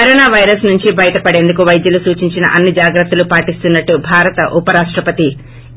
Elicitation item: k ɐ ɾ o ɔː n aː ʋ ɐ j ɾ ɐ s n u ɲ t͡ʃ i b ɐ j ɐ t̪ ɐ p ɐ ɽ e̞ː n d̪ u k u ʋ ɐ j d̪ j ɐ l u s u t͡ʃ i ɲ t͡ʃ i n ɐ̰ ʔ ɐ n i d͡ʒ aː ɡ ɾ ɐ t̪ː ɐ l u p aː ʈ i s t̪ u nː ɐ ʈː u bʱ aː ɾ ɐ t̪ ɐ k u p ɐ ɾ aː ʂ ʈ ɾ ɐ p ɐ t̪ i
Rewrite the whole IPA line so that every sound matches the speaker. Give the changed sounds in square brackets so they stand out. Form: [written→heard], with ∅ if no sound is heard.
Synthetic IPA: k ɐ ɾ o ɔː n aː ʋ ɐ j ɾ ɐ s n u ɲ t͡ʃ i b ɐ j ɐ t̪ ɐ p ɐ ɽ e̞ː n d̪ u k u ʋ ɐ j d̪ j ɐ l u s [u→uː] t͡ʃ i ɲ t͡ʃ i n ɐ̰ ʔ ɐ [n→nː] i d͡ʒ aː ɡ ɾ ɐ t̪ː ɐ l u p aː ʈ i s t̪ u nː ɐ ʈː u bʱ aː ɾ ɐ t̪ ɐ [k→ʔ] u p ɐ ɾ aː ʂ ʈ ɾ ɐ p ɐ t̪ i